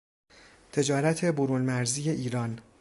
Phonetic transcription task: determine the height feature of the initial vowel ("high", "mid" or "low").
mid